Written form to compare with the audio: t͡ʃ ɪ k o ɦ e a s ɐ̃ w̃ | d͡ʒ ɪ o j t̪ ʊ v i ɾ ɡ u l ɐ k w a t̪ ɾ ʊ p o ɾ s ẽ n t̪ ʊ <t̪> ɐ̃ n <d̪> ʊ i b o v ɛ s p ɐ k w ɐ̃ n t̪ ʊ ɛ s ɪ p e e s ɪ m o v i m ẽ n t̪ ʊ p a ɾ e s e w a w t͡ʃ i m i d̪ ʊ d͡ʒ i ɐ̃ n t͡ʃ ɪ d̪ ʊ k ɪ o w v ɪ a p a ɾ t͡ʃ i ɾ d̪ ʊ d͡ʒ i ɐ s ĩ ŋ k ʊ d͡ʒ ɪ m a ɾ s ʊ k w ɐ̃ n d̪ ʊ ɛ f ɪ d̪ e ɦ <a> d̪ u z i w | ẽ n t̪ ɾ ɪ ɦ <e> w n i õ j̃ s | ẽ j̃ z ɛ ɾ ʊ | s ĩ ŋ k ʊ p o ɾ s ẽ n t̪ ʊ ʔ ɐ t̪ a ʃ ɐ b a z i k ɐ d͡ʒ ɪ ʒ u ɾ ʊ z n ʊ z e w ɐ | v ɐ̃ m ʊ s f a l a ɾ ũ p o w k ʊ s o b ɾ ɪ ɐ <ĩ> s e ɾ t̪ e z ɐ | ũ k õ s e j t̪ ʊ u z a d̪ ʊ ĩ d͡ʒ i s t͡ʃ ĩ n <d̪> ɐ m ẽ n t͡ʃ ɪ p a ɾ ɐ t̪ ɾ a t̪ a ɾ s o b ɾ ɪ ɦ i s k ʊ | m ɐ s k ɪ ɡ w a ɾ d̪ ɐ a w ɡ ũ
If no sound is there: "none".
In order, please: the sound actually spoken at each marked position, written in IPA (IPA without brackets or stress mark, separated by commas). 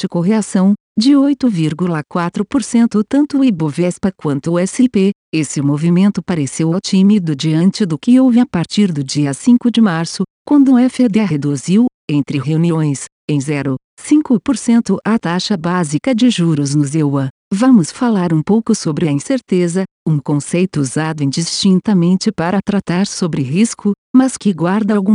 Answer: t̪, t̪, e, e, ĩ, t̪